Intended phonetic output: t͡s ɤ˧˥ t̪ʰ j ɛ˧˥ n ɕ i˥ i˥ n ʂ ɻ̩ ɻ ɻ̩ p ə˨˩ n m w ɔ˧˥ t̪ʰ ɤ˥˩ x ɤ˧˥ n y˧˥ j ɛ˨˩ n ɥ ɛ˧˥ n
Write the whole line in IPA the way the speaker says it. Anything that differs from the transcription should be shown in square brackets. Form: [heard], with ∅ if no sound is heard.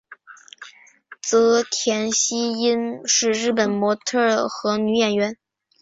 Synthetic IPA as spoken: t͡s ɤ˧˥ t̪ʰ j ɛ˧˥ n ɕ i˥ i˥ n ʂ ɻ̩ ɻ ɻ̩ p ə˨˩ n m w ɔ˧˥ t̪ʰ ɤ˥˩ x ɤ˧˥ n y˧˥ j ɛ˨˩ n ɥ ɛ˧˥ n